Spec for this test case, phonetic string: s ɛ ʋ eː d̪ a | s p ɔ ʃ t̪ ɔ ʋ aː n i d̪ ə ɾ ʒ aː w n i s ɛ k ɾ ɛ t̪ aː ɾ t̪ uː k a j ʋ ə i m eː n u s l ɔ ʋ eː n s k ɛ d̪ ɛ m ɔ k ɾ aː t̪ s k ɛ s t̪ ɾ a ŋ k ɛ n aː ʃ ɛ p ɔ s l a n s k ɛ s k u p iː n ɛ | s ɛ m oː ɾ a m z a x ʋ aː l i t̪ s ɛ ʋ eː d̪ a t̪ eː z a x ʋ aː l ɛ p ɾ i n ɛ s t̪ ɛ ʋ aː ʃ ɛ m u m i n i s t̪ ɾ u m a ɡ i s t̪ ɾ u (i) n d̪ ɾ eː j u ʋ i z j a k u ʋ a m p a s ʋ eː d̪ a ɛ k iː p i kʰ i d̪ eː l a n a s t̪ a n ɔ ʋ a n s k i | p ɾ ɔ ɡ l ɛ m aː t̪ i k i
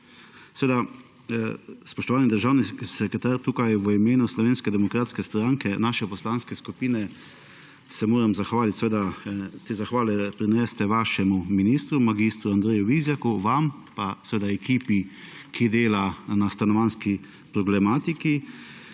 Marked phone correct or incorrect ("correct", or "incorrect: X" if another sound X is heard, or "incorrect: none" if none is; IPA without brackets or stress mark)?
incorrect: a